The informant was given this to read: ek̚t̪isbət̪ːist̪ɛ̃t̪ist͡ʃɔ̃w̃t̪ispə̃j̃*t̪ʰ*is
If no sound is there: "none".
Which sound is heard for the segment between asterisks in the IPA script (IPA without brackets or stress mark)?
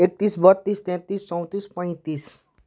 t̪